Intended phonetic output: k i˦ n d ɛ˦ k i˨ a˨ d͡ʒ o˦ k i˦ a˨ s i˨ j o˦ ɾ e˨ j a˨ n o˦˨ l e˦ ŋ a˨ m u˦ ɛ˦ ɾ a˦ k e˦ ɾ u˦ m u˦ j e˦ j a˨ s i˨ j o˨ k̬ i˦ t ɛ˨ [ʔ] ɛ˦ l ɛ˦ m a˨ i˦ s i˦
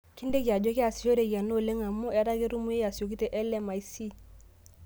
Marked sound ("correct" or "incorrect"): correct